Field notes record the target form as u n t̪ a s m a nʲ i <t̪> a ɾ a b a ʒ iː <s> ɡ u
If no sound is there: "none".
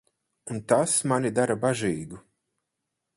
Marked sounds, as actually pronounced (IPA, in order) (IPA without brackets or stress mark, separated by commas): d̪, none